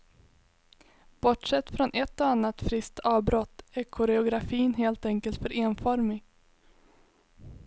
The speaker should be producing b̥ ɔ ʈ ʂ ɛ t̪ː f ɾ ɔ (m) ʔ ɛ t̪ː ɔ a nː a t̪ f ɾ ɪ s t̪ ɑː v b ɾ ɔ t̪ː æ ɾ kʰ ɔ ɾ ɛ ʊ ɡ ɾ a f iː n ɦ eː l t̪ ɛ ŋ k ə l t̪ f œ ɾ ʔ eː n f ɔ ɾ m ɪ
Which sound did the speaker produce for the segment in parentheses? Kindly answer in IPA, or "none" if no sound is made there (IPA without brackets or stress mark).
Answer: n